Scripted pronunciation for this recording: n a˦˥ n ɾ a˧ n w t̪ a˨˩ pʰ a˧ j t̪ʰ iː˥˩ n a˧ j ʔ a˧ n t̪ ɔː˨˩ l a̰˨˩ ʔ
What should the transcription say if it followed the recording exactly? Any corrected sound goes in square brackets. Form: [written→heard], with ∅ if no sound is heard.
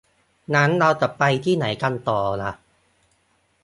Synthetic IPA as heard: n a˦˥ n ɾ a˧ [n→∅] w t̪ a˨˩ [pʰ→p] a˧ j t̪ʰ iː˥˩ n [a˧→a˩˦] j [ʔ→k] a˧ n t̪ ɔː˨˩ l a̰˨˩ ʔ